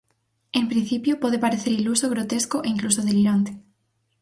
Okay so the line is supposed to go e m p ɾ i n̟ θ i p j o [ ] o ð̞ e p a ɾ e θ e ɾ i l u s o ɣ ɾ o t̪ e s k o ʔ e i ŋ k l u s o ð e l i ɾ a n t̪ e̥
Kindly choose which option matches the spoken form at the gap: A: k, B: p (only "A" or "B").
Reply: B